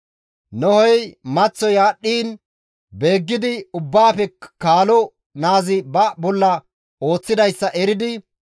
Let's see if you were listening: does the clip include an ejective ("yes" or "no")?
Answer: no